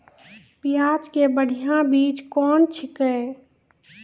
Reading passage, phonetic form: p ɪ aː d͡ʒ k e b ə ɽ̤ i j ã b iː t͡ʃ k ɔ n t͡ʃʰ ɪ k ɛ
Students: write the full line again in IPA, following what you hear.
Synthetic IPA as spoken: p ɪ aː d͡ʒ k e b ə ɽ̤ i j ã b iː t͡ʃ k ɔː n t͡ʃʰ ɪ k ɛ